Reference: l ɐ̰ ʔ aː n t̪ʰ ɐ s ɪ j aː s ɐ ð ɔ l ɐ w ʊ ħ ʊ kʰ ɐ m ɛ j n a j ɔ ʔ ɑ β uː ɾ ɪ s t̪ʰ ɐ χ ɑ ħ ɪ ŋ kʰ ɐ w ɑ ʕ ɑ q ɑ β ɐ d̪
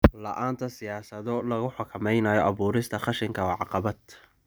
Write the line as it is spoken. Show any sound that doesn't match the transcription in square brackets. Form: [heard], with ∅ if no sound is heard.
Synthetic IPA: l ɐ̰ ʔ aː n t̪ʰ ɐ s ɪ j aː s ɐ ð ɔ l ɐ [ɣ] ʊ ħ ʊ kʰ ɐ m ɛ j n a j ɔ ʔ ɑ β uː ɾ ɪ s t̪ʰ ɐ χ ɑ [ʃ] ɪ ŋ kʰ ɐ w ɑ ʕ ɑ q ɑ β ɐ d̪